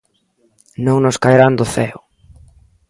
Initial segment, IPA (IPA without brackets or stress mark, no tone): n